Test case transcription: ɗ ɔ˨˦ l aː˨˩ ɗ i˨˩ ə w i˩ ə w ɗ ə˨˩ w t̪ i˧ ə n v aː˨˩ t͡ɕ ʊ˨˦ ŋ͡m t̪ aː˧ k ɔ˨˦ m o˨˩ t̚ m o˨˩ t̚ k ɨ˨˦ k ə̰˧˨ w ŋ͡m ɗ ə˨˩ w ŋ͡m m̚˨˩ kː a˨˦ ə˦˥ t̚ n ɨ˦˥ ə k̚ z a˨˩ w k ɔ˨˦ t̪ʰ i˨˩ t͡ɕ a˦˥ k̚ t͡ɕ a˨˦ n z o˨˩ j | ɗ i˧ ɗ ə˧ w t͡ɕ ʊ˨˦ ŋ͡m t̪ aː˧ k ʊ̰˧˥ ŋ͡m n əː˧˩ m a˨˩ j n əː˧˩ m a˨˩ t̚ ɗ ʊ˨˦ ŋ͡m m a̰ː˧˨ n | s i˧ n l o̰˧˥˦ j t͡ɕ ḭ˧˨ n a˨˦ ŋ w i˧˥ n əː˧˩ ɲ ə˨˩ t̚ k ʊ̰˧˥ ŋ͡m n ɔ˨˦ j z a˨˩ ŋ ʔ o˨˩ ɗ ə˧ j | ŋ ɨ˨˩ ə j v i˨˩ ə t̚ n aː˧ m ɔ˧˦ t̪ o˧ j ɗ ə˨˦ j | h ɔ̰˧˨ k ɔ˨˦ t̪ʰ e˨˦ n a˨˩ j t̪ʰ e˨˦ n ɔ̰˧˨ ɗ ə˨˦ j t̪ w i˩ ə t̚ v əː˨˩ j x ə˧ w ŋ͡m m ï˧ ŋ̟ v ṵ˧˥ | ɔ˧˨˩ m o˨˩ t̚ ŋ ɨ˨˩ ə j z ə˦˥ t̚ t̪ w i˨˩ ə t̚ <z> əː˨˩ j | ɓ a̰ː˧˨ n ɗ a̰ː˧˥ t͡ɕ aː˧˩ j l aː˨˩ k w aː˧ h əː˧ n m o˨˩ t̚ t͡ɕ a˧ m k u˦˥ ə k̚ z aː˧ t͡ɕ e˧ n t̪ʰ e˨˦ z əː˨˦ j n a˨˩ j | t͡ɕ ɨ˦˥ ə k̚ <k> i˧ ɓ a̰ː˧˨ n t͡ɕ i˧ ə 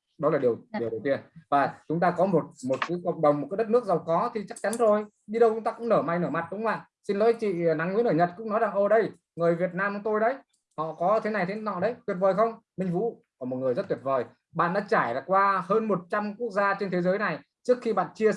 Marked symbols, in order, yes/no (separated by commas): no, no